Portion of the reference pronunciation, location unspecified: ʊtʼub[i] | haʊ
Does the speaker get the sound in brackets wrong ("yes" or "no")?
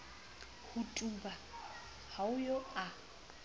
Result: yes